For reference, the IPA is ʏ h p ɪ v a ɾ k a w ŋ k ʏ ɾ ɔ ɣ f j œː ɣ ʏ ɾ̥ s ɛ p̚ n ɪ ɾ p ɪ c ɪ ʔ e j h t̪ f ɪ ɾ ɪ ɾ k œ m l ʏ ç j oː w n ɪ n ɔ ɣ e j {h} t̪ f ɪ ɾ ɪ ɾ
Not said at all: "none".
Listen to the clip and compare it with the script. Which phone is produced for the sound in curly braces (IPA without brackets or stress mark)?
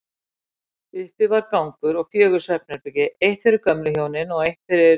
h